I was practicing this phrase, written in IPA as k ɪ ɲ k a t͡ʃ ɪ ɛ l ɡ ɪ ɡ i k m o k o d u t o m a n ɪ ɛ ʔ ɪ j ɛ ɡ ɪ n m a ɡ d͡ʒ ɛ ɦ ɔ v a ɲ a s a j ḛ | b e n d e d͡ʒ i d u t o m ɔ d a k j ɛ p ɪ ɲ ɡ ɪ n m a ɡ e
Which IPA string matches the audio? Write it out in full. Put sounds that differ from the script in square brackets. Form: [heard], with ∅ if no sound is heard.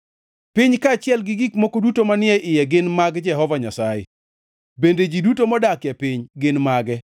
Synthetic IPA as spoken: [p] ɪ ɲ k a t͡ʃ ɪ ɛ l ɡ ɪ ɡ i k m o k o d u t o m a n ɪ ɛ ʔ ɪ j ɛ ɡ ɪ n m a ɡ d͡ʒ ɛ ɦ ɔ v a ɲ a s a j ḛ | b e n d e d͡ʒ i d u t o m ɔ d a k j ɛ p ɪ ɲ ɡ ɪ n m a ɡ [ɛ]